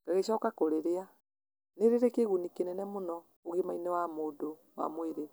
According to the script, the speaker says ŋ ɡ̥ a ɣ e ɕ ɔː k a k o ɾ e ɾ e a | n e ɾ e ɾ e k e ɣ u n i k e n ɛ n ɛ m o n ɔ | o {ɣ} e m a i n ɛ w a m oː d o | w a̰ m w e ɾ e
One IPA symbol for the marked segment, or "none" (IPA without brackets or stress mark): ɣ